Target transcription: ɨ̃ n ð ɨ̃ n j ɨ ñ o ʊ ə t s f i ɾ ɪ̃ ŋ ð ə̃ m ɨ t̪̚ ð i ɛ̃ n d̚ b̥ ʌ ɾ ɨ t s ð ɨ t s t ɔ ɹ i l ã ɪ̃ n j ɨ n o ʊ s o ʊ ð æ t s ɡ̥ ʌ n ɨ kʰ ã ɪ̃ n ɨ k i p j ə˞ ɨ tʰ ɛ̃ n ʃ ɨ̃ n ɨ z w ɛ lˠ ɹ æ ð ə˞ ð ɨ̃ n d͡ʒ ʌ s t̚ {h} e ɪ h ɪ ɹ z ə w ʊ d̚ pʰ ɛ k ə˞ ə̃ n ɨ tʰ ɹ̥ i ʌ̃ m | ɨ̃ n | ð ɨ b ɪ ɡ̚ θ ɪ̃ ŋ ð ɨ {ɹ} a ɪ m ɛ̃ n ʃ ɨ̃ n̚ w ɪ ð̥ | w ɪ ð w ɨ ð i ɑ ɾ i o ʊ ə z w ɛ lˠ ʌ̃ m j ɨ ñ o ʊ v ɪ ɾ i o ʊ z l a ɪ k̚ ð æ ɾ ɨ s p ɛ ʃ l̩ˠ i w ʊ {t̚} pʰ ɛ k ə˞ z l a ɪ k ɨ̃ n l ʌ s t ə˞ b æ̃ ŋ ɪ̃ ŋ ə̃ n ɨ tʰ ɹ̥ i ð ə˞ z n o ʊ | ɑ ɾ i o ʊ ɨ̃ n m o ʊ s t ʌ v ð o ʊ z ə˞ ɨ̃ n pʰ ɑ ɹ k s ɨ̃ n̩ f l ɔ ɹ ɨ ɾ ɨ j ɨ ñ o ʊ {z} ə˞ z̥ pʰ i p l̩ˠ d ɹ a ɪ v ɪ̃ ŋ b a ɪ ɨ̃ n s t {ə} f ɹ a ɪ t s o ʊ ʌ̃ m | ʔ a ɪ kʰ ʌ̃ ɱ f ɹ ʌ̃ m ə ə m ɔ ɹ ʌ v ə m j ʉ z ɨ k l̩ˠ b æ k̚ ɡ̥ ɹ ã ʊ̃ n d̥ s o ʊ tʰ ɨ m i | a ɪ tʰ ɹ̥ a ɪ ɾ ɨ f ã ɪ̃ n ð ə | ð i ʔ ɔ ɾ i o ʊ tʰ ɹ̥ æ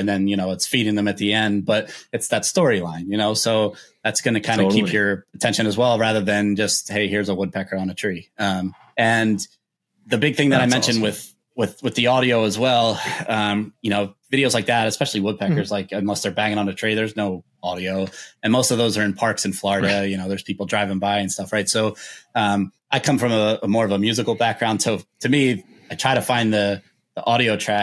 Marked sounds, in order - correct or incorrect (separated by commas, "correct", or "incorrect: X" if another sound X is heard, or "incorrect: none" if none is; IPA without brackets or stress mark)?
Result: correct, incorrect: ɾ, incorrect: d̚, incorrect: ð, incorrect: ʌ